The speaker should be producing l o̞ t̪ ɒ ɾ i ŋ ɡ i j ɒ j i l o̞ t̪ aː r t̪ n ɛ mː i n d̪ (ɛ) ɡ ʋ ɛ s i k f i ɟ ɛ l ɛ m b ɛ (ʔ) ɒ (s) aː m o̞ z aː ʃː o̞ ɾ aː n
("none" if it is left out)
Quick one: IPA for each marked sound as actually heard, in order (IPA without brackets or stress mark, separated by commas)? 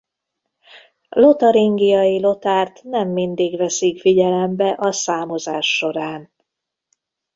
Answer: i, ʔ, s